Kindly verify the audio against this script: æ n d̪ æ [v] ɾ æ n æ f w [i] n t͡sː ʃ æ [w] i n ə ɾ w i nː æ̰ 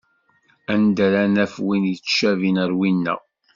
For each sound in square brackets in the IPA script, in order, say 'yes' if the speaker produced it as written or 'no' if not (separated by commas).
no, yes, no